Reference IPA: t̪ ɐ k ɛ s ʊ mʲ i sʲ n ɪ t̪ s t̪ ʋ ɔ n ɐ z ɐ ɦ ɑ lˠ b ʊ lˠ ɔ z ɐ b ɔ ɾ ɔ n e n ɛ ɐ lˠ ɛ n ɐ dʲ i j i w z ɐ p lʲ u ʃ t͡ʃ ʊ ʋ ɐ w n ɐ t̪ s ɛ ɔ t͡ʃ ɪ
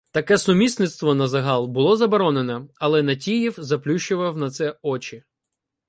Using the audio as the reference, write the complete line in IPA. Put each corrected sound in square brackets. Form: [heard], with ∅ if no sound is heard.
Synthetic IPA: t̪ ɐ k ɛ s ʊ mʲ i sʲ n ɪ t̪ s t̪ ʋ ɔ n ɐ z ɐ ɦ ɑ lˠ b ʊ lˠ ɔ z ɐ b ɔ ɾ ɔ n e n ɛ ɐ lˠ ɛ n ɐ [tʲ] i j i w z ɐ p lʲ u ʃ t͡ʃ ʊ ʋ ɐ w n ɐ t̪ s ɛ ɔ t͡ʃ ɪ